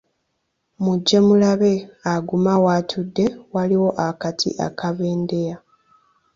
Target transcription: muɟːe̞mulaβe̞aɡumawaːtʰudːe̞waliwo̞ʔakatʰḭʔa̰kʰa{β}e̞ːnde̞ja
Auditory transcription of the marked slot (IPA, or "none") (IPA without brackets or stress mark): β